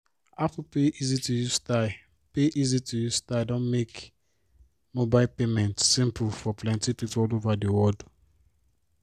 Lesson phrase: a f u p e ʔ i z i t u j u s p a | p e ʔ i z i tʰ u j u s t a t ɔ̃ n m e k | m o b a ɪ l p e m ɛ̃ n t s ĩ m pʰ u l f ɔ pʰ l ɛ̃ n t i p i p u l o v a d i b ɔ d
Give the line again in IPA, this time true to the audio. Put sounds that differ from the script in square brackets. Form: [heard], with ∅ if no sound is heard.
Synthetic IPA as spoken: a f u p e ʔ i z i t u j u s [t] a | p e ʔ i z i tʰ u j u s t a [d] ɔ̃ n m e k | m o b a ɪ l p e m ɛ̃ n t s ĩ m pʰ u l f ɔ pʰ l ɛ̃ n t i p i p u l o v a d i [w] ɔ d